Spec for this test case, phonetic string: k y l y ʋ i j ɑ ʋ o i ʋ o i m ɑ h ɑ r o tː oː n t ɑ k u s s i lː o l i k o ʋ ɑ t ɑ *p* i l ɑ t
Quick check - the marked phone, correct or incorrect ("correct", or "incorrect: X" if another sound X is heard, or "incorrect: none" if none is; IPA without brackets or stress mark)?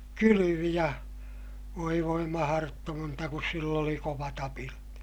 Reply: correct